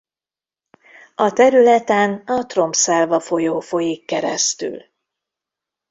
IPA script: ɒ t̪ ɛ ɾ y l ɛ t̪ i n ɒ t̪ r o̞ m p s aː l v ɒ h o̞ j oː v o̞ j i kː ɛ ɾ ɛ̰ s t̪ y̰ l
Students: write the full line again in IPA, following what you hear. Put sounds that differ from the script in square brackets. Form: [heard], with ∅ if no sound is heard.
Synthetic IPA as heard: ɒ t̪ ɛ ɾ y l ɛ t̪ [ɛ] n ɒ t̪ r o̞ m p s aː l v ɒ [f] o̞ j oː [f] o̞ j i kː ɛ ɾ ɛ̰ s t̪ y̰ l